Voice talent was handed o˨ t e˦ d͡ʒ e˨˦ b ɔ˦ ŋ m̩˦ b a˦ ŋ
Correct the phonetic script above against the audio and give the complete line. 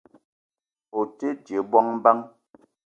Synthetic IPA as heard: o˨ t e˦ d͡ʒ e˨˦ b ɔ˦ ŋ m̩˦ b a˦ ŋ

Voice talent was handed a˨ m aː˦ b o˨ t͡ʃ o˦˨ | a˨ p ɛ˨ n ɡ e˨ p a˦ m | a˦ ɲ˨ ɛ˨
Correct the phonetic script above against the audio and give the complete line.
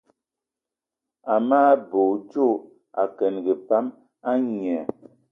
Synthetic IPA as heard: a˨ m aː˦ b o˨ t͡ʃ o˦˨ | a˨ k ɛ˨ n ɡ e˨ p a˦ m | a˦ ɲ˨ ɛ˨

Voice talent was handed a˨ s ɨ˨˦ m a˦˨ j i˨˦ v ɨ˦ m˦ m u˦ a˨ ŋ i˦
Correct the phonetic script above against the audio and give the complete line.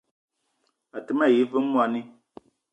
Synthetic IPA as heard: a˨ t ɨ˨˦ m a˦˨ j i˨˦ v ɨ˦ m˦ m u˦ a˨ n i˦

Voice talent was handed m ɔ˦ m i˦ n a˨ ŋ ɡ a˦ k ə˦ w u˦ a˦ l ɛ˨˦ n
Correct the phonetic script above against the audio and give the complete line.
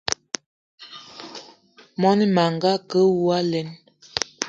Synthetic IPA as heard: m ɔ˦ n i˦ m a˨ ŋ ɡ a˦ k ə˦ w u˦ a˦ l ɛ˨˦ n

